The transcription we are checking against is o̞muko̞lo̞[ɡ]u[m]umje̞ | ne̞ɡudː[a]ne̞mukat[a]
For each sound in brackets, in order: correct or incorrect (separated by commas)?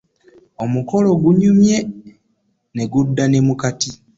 correct, incorrect, correct, incorrect